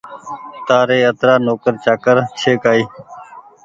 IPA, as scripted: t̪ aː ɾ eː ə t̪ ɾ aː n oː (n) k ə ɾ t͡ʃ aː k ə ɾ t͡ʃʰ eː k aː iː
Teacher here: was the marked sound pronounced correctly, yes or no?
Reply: no